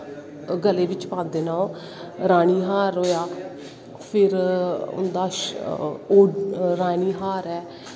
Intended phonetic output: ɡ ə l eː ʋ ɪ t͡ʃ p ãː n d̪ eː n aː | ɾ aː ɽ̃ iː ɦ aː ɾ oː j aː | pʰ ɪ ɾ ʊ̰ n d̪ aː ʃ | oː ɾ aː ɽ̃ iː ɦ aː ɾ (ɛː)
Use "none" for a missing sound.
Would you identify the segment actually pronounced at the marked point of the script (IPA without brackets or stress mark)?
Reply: ɛː